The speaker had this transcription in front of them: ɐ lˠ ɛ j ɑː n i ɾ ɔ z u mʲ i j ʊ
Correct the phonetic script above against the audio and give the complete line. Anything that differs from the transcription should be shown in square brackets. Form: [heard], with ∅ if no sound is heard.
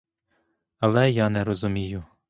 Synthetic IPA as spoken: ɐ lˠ ɛ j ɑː n [ɛ] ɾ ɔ z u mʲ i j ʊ